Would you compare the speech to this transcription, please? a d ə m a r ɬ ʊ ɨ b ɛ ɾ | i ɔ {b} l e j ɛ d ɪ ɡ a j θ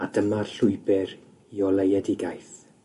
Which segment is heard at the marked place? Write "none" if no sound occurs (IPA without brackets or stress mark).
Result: none